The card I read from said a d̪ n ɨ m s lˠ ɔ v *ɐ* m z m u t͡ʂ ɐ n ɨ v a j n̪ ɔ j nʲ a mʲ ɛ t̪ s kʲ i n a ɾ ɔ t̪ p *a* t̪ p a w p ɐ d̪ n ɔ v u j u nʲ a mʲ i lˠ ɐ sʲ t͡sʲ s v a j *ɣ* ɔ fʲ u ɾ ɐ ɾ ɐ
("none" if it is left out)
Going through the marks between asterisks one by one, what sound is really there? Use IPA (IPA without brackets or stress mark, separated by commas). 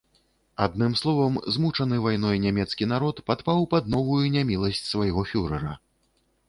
ɐ, a, ɣ